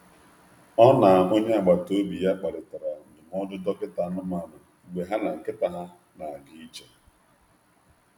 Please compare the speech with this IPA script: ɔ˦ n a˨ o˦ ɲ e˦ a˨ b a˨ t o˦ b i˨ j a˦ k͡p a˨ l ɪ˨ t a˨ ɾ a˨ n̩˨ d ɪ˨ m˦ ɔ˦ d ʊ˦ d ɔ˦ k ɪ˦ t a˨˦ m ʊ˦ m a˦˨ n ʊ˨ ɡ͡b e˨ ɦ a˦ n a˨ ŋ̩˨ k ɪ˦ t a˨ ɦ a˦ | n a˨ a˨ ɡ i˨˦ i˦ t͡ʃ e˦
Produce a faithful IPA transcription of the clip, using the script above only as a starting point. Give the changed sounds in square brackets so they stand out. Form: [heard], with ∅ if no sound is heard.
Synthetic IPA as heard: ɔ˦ n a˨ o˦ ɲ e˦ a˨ [ɡ͡b] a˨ t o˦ b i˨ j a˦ k͡p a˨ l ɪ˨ t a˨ ɾ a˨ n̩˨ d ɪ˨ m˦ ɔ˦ d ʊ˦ d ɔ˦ k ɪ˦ t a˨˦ [n] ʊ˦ m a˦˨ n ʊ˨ ɡ͡b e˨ ɦ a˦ n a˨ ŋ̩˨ k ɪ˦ t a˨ ɦ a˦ | n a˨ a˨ ɡ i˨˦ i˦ t͡ʃ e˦